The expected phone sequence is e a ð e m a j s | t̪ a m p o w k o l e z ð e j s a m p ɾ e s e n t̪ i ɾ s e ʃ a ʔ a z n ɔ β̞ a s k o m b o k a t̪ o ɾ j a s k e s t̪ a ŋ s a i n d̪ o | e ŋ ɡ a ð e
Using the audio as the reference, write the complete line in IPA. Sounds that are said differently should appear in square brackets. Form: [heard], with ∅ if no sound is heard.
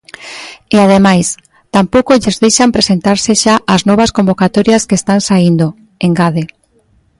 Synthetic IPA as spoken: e a ð e m a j s | t̪ a m p o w k o [ʎ] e z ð e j [ʃ] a m p ɾ e s e n t̪ [a] ɾ s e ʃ a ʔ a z n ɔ β̞ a s k o m b o k a t̪ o ɾ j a s k e s t̪ a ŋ s a i n d̪ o | e ŋ ɡ a ð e